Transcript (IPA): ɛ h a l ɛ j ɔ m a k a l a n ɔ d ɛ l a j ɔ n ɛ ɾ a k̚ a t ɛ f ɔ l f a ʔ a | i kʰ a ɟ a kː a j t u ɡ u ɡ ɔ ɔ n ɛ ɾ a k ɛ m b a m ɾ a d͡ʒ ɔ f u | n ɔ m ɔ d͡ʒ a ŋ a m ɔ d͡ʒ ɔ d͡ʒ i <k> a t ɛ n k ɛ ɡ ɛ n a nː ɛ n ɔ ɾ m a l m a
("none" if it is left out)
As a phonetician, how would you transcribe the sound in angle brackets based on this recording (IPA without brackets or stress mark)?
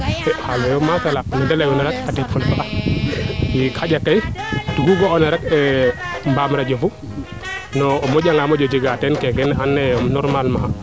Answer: ɡ